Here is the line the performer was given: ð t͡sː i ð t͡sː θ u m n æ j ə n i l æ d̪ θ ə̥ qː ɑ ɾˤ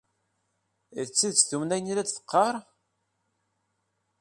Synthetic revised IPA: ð t͡sː i ð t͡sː θ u m n æ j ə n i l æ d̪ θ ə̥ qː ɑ ɾˤ